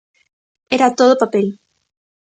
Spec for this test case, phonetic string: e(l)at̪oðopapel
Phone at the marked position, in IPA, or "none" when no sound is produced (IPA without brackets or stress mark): ɾ